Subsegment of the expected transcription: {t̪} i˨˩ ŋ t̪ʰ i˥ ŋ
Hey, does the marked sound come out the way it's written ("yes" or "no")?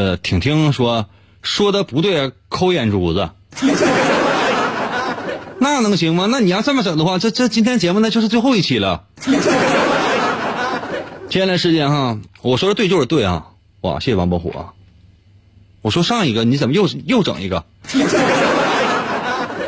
no